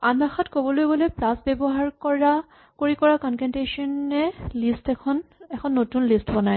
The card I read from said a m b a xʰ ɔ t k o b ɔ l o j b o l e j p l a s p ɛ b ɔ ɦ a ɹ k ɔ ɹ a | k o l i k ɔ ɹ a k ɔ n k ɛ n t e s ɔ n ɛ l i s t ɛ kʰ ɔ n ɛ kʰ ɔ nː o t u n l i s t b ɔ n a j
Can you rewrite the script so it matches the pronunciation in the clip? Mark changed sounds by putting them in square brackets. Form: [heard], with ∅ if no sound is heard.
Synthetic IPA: a [n] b a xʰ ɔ t k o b ɔ l o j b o l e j p l a s [b] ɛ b ɔ ɦ a ɹ k ɔ ɹ a | k o [ɹ] i k ɔ ɹ a k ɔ n k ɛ n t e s ɔ n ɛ l i s t ɛ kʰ ɔ n ɛ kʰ ɔ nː o t u n l i s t b ɔ n a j

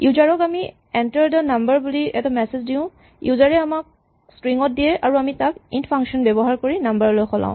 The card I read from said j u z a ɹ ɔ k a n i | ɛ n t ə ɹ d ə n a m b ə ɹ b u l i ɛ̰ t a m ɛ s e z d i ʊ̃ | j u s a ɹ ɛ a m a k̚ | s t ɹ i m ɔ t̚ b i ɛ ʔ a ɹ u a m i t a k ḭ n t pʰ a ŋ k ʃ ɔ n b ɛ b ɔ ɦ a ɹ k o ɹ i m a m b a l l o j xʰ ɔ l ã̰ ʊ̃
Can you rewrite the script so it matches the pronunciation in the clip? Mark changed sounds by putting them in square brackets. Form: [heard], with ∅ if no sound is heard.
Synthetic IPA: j u z a ɹ ɔ k a [m] i | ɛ n t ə ɹ d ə n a m b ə ɹ b u l i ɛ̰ t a m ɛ s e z d i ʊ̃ | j u [z] a ɹ ɛ a m a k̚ | s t ɹ i [ŋ] ɔ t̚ [d] i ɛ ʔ a ɹ u a m i t a k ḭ n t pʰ a ŋ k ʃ ɔ n b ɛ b ɔ ɦ a ɹ k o ɹ i [n] a m b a [ɹ] l o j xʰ ɔ l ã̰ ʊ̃

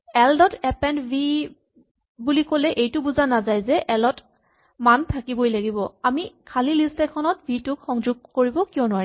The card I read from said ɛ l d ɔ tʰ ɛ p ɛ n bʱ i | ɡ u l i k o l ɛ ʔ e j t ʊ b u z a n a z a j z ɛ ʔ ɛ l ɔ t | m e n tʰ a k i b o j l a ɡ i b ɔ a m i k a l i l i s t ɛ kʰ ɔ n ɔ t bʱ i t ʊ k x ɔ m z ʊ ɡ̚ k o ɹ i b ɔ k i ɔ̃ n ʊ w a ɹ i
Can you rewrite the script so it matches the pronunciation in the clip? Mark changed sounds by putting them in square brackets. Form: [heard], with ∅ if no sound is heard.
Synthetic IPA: ɛ l d ɔ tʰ ɛ p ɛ n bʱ i | [b] u l i k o l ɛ ʔ e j t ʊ b u z a n a z a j z ɛ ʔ ɛ l ɔ t | m [a] n tʰ a k i b o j l a ɡ i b ɔ a m i [kʰ] a l i l i s t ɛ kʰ ɔ n ɔ t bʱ i t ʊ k x ɔ [ŋ] z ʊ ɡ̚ k o ɹ i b ɔ k i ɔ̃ n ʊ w a ɹ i

